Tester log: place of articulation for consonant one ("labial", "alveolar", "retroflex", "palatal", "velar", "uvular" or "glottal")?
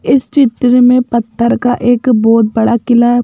alveolar